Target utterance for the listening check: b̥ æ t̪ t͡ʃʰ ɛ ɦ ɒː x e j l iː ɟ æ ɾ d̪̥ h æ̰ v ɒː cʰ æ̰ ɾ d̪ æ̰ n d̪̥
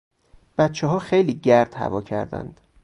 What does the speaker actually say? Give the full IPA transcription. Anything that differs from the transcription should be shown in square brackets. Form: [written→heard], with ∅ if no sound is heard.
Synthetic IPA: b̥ æ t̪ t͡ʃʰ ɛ ɦ ɒː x e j l iː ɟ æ ɾ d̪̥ h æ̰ v ɒː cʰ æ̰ ɾ d̪ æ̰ n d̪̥